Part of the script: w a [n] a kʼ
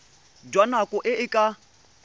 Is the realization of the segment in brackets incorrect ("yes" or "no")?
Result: no